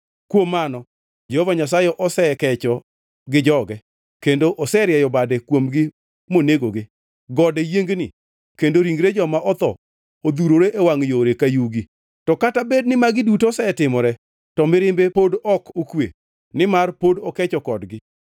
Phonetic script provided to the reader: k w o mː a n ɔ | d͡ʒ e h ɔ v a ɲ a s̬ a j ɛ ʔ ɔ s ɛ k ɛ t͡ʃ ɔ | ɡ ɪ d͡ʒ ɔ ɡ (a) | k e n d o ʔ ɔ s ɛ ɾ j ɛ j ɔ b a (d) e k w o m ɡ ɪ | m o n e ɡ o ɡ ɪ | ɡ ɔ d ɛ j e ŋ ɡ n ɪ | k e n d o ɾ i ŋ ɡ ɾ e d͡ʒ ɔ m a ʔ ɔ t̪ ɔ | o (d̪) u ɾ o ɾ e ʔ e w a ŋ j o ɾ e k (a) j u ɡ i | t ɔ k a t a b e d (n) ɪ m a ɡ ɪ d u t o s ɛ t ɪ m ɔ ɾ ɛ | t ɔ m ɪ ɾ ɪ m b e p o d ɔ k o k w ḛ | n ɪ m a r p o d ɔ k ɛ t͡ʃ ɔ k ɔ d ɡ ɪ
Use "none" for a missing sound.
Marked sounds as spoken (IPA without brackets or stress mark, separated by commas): ɛ, d, d̪, a, n